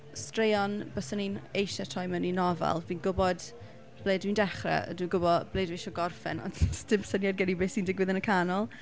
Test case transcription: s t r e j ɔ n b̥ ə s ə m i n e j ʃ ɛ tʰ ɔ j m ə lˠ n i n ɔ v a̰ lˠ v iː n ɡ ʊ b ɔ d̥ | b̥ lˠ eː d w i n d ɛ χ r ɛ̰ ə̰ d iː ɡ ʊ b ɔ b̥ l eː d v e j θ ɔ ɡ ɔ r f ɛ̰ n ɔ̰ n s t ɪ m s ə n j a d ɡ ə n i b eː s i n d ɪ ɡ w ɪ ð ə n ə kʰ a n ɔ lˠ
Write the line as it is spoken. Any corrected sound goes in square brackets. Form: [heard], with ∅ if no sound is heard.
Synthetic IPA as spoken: s t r e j ɔ n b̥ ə s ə [n] i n e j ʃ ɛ tʰ ɔ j m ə [∅] n i n ɔ v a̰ lˠ v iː n ɡ ʊ b ɔ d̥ | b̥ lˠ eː d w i n d ɛ χ r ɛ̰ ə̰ d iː ɡ ʊ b ɔ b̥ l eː d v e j [ʃ] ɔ ɡ ɔ r f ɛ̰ n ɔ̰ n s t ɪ m s ə n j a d ɡ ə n i b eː s i n d ɪ ɡ w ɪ ð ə n ə kʰ a n ɔ lˠ